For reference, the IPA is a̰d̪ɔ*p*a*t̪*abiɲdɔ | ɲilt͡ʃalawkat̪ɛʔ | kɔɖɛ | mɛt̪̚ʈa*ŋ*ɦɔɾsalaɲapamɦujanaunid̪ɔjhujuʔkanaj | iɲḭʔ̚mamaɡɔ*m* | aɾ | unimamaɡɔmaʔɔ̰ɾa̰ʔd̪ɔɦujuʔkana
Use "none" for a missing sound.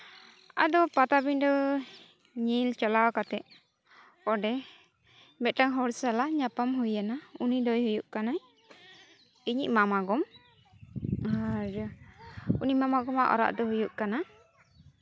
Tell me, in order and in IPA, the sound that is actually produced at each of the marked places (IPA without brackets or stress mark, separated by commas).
p, t̪, ŋ, m